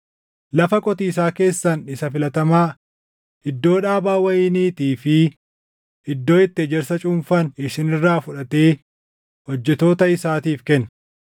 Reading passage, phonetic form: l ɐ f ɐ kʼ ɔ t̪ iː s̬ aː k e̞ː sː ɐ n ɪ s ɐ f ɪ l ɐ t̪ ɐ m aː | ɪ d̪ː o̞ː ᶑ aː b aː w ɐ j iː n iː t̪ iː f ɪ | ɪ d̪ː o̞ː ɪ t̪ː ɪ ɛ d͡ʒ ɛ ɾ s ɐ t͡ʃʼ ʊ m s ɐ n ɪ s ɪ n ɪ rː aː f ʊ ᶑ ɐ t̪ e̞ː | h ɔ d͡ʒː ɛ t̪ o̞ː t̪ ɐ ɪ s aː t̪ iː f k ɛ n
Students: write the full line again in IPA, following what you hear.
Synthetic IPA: l ɐ f ɐ kʼ ɔ t̪ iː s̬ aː k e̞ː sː ɐ n ɪ s ɐ f ɪ l ɐ t̪ ɐ m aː | ɪ d̪ː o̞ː ᶑ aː b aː w ɐ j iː n iː t̪ iː f ɪ | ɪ d̪ː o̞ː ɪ t̪ː ɪ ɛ d͡ʒ ɛ ɾ s ɐ t͡ʃʼ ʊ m f ɐ n ɪ ʃ ɪ n ɪ rː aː f ʊ ᶑ ɐ t̪ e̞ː | h ɔ d͡ʒː ɛ t̪ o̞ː t̪ ɐ ɪ s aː t̪ iː f k ɛ n

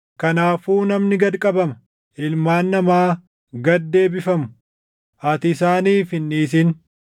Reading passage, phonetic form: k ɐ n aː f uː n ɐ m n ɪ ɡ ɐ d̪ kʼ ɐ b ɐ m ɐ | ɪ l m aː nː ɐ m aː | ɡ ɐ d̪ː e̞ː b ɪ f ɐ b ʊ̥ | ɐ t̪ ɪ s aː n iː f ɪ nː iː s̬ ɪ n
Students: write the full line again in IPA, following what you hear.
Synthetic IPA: k ɐ n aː f uː n ɐ m n ɪ ɡ ɐ d̪ kʼ ɐ b ɐ m ɐ | ɪ l m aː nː ɐ m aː | ɡ ɐ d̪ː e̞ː b ɪ f ɐ m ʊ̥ | ɐ t̪ ɪ s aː n iː f ɪ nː iː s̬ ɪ n

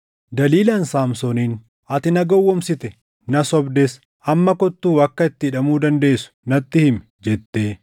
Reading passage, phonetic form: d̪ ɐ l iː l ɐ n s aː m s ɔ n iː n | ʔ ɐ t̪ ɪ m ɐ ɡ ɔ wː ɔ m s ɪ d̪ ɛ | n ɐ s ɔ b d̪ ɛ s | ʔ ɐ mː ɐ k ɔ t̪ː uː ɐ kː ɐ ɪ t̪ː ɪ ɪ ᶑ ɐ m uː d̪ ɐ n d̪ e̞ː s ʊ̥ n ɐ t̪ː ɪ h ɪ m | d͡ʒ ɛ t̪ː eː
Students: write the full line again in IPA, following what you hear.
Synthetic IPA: d̪ ɐ l iː l ɐ n s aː m s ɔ n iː n | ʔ ɐ t̪ ɪ n ɐ ɡ ɔ wː ɔ m s ɪ t̪ ɛ | n ɐ s ɔ b d̪ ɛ s | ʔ ɐ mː ɐ k ɔ t̪ː uː ɐ kː ɐ ɪ t̪ː ɪ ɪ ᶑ ɐ m uː d̪ ɐ n d̪ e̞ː s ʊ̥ n ɐ t̪ː ɪ h ɪ m | d͡ʒ ɛ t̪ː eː

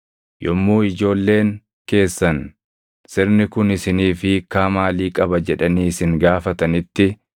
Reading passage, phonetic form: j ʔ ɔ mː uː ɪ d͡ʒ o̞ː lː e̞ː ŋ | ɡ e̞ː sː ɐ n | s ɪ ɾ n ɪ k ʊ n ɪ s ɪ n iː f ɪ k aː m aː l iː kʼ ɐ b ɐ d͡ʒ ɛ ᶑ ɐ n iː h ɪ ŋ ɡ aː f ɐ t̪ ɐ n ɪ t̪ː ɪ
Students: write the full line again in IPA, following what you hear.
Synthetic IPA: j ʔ ɔ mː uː ɪ d͡ʒ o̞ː lː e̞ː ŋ | k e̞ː sː ɐ n | s ɪ ɾ n ɪ k ʊ n ɪ s ɪ n iː f ɪ k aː m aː l iː kʼ ɐ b ɐ d͡ʒ ɛ ᶑ ɐ n iː s ɪ ŋ ɡ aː f ɐ t̪ ɐ n ɪ t̪ː ɪ

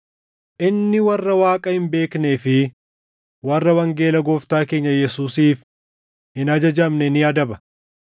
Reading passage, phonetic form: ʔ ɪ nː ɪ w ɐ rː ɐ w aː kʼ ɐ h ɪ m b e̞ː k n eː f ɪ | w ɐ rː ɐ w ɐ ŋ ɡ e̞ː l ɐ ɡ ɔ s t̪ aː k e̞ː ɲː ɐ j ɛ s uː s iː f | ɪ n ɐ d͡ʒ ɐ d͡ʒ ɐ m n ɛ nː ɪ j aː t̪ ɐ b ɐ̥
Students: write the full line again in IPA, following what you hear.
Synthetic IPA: ʔ ɪ nː ɪ w ɐ rː ɐ w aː kʼ ɐ h ɪ m b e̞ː k n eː f ɪ | w ɐ rː ɐ w ɐ ŋ ɡ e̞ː l ɐ ɡ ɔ f t̪ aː k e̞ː ɲː ɐ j ɛ s uː s iː f | ɪ n ɐ d͡ʒ ɐ d͡ʒ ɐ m n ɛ n ɪ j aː d̪ ɐ b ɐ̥

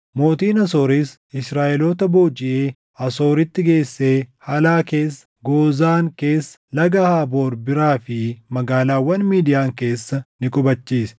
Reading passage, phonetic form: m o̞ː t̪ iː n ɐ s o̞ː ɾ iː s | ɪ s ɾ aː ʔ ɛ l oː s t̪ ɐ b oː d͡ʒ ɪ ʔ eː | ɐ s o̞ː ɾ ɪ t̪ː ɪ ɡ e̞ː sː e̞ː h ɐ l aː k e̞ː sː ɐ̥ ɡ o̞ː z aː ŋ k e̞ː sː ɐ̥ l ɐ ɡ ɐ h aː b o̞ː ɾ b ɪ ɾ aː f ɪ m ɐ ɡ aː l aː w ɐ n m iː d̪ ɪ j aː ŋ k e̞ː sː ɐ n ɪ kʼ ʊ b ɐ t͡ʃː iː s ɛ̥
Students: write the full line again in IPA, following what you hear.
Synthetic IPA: m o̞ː t̪ iː n ɐ s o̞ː ɾ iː s | ɪ s ɾ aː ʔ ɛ l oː t̪ ɐ b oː d͡ʒ ɪ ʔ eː | ɐ s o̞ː ɾ ɪ t̪ː ɪ ɡ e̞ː sː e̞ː h ɐ l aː k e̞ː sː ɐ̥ ɡ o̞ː z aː ŋ k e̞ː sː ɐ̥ l ɐ ɡ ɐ h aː b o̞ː ɾ b ɪ ɾ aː f ɪ m ɐ ɡ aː l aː w ɐ n m iː d̪ ɪ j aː ŋ k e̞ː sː ɐ n ɪ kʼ ʊ b ɐ t͡ʃː iː s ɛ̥

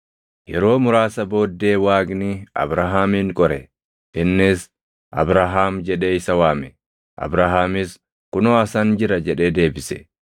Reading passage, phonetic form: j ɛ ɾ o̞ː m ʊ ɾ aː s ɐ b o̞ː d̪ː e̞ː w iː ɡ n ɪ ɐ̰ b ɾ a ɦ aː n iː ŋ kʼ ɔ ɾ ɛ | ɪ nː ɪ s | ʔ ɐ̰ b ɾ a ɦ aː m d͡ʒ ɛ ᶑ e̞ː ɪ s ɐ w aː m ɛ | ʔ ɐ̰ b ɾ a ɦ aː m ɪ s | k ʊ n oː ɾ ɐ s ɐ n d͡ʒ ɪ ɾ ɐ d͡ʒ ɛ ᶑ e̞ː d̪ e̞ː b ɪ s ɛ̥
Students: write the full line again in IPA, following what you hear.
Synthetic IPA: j ɛ ɾ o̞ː m ʊ ɾ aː s ɐ b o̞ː d̪ː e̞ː w aː ɡ n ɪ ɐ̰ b ɾ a ɦ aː m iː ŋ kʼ ɔ ɾ ɛ | ɪ nː ɪ s | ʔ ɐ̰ b ɾ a ɦ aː m d͡ʒ ɛ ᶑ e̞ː ɪ s ɐ w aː m ɛ | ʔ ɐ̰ b ɾ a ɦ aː m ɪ s | k ʊ n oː ɐ s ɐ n d͡ʒ ɪ ɾ ɐ d͡ʒ ɛ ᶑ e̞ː d̪ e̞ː b ɪ s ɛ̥

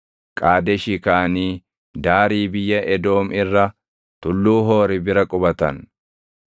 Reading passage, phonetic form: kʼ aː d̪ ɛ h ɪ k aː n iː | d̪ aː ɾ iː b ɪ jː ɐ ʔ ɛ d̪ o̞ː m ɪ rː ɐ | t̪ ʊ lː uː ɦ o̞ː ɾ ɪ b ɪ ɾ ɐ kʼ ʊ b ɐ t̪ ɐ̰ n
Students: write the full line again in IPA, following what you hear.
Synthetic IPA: kʼ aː d̪ ɛ ʃ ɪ k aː n iː | d̪ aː ɾ iː b ɪ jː ɐ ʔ ɛ d̪ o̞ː m ɪ rː ɐ | t̪ ʊ lː uː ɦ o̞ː ɾ ɪ b ɪ ɾ ɐ kʼ ʊ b ɐ t̪ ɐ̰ n

